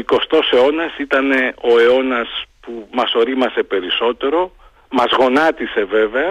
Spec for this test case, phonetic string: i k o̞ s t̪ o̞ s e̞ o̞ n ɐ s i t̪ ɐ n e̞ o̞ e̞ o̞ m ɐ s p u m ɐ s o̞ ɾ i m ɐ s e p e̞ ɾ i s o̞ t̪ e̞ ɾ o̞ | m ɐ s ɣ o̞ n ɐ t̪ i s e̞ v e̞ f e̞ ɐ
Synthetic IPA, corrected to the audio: i k o̞ s t̪ o̞ s e̞ o̞ n ɐ s i t̪ ɐ n e̞ o̞ e̞ o̞ n ɐ s p u m ɐ s o̞ ɾ i m ɐ s e p e̞ ɾ i s o̞ t̪ e̞ ɾ o̞ | m ɐ z ɣ o̞ n ɐ t̪ i s e̞ v e̞ v e̞ ɐ